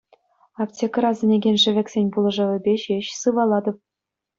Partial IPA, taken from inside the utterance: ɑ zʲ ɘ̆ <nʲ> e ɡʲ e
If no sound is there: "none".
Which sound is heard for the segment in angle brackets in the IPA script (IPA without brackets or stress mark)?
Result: nʲ